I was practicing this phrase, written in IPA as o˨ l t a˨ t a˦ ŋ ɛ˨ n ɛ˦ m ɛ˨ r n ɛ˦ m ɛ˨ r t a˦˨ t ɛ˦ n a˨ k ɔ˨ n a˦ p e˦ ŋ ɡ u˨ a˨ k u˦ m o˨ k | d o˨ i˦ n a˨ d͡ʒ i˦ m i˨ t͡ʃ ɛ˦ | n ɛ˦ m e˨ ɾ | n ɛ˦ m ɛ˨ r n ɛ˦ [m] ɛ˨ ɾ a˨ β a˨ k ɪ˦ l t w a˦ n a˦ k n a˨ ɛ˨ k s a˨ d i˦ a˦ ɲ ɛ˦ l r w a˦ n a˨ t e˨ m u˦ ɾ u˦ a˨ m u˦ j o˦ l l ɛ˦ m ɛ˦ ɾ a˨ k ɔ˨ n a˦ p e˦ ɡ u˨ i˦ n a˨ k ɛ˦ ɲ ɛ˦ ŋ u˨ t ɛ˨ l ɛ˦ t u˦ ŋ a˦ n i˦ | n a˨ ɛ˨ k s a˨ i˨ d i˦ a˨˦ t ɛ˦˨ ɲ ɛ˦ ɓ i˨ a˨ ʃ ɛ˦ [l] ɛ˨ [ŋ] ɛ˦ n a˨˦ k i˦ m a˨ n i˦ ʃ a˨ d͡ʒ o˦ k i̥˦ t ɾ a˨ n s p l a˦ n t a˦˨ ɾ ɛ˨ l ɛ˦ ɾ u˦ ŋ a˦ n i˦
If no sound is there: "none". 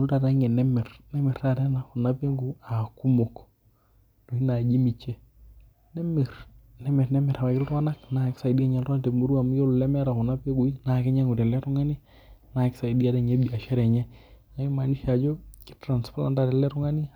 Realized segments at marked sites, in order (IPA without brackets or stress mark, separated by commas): m, ɾ, ɲ